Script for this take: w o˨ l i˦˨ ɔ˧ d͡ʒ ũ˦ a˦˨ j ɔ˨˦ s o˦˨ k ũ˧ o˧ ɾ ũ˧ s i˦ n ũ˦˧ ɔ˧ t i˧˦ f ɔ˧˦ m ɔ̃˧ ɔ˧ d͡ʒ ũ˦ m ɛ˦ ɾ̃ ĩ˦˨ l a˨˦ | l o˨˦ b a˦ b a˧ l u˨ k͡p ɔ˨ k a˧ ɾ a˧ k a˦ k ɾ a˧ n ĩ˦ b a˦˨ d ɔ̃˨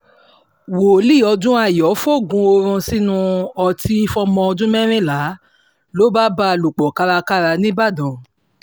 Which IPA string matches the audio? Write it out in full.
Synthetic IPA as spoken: w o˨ l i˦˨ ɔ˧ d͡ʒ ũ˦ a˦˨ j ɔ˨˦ f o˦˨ ɡ ũ˧ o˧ ɾ ũ˧ s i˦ n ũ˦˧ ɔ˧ t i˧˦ f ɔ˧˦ m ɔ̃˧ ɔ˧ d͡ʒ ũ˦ m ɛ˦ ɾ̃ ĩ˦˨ l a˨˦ | l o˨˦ b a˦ b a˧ l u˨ k͡p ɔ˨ k a˧ ɾ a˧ k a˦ ɾ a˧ n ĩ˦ b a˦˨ d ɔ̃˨

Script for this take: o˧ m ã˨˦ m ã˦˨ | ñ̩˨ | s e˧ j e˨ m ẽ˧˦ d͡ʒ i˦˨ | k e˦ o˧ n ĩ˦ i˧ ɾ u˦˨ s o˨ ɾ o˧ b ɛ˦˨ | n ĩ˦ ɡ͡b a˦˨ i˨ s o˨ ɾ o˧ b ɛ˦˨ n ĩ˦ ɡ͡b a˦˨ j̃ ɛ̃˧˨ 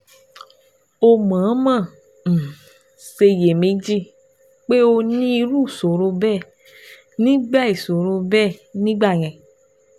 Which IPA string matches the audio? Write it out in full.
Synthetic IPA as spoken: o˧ m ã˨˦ m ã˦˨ | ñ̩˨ | s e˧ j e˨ m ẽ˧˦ d͡ʒ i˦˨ | k͡p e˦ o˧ n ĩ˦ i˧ ɾ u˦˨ s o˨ ɾ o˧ b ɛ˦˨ | n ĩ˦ ɡ͡b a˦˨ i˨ s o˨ ɾ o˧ b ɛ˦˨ n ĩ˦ ɡ͡b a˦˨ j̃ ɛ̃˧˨

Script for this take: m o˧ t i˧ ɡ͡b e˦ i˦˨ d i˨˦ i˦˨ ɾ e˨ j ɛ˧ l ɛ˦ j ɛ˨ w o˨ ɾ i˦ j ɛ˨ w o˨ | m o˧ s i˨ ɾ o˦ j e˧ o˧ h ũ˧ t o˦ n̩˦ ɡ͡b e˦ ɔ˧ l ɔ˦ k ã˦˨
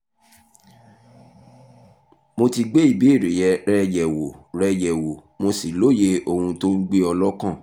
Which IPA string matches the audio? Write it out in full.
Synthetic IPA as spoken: m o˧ t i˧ ɡ͡b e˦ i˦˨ b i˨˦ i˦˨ ɾ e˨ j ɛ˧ ɾ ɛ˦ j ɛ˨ w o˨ ɾ ɛ˦ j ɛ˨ w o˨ | m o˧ s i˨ l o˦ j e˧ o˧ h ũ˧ t o˦ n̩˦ ɡ͡b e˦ ɔ˧ l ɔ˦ k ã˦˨

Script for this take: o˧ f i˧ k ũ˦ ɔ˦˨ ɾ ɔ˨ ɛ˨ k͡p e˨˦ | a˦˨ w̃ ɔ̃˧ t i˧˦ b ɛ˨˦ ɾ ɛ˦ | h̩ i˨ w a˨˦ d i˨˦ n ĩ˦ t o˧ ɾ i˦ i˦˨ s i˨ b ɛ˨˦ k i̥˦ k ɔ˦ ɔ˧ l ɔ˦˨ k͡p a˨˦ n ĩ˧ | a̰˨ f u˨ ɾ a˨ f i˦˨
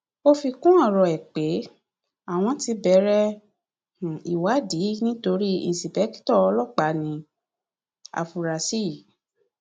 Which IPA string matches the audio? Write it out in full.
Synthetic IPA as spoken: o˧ f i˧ k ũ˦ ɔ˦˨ ɾ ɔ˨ ɛ˨ k͡p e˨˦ | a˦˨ w̃ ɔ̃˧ t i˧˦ b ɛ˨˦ ɾ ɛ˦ | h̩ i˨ w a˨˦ d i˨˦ n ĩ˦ t o˧ ɾ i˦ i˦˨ s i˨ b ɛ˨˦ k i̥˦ t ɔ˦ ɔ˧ l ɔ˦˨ k͡p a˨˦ n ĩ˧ | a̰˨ f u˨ ɾ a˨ s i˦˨

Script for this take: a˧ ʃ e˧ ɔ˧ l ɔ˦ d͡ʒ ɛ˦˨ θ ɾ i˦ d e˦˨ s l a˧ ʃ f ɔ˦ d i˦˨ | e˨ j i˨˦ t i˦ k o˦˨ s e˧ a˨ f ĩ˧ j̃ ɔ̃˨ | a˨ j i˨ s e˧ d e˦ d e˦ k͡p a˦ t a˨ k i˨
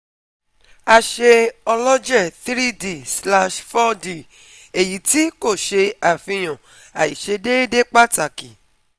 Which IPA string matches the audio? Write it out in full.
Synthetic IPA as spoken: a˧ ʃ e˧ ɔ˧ l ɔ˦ d͡ʒ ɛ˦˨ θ ɾ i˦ d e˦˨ s l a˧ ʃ f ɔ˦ d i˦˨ | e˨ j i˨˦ t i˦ k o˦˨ ʃ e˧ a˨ f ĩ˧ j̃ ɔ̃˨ | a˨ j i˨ ʃ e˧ d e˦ d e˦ k͡p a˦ t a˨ k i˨

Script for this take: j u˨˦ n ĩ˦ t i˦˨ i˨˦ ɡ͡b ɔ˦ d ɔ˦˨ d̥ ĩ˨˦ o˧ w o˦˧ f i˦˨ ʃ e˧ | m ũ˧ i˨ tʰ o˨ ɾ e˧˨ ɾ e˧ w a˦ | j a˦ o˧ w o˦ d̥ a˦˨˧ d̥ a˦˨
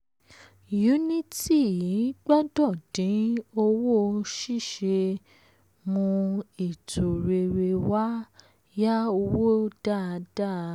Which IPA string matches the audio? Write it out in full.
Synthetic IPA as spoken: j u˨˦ n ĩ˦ t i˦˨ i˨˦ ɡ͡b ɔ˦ d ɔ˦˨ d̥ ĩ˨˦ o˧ w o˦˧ ʃ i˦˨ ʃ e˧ | m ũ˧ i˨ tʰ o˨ ɾ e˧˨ ɾ e˧ w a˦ | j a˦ o˧ w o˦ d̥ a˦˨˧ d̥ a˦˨

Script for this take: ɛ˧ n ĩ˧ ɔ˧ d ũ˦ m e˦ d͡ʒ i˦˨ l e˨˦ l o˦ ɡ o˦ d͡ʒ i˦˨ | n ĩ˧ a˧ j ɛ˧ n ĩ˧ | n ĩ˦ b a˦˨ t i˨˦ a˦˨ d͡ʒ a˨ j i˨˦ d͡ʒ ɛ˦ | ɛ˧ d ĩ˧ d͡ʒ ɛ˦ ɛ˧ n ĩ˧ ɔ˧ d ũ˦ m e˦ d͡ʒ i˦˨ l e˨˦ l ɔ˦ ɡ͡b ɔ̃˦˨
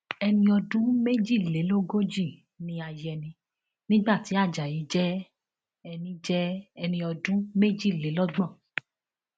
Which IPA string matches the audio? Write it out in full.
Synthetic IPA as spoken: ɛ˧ n ĩ˧ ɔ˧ d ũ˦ m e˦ d͡ʒ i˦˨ l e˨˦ l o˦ ɡ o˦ d͡ʒ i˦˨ | n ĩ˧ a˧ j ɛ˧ n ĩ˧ | n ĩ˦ ɡ͡b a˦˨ t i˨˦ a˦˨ d͡ʒ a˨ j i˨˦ d͡ʒ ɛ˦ | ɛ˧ n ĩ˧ d͡ʒ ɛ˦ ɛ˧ n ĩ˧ ɔ˧ d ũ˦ m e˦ d͡ʒ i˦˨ l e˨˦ l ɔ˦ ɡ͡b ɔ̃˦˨

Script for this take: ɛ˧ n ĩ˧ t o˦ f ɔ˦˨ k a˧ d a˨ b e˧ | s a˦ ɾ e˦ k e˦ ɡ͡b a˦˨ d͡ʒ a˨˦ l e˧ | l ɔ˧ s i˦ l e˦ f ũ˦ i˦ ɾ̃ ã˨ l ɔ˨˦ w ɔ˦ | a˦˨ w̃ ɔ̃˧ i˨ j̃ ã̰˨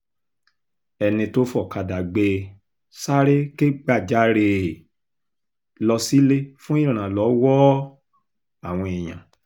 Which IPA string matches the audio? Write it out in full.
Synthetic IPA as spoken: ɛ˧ n ĩ˧ t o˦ f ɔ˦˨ k a˧ d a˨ ɡ͡b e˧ | s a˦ ɾ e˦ k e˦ ɡ͡b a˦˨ d͡ʒ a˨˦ ɾ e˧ | l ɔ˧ s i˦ l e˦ f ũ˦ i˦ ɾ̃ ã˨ l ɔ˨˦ w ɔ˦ | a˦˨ w̃ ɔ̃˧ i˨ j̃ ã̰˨

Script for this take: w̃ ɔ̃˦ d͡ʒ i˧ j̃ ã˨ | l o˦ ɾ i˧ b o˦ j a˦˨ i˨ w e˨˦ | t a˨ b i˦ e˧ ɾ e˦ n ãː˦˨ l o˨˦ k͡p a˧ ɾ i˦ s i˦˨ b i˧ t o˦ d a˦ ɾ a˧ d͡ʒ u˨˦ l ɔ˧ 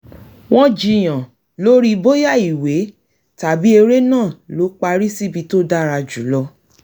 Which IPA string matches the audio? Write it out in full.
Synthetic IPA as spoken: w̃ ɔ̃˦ d͡ʒ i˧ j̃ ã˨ | l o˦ ɾ i˧ b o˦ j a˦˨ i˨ w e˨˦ | t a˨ b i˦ e˧ ɾ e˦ n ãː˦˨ l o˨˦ k͡p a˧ ɾ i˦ s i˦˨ b i˧ t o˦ d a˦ ɾ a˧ d͡ʒ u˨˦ l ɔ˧

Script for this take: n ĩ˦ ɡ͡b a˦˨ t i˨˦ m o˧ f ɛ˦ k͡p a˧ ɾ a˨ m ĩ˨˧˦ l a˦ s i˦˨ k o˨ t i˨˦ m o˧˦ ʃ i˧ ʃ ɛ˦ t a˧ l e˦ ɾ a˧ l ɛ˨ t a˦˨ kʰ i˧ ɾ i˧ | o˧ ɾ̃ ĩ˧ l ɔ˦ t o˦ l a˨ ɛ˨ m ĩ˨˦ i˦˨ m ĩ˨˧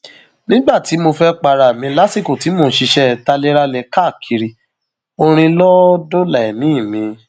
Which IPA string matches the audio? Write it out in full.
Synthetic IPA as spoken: n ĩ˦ ɡ͡b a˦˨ t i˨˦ m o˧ f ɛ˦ k͡p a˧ ɾ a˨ m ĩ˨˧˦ l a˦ s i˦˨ k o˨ t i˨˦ m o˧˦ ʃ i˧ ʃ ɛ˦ t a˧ l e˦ ɾ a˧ l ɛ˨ k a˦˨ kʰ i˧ ɾ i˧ | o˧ ɾ̃ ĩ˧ l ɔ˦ d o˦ l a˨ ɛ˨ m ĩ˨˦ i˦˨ m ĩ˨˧

